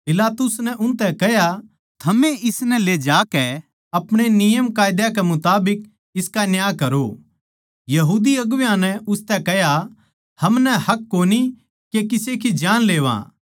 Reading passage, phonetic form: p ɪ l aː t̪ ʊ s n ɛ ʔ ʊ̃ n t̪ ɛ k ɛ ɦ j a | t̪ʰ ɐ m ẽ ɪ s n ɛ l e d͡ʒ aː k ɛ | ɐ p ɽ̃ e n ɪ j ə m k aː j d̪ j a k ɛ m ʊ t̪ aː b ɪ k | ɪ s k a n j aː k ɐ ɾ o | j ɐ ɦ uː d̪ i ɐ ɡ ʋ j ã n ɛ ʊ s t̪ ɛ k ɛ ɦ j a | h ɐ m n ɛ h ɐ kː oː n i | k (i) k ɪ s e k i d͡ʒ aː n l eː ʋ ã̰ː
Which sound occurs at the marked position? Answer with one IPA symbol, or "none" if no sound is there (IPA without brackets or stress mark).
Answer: e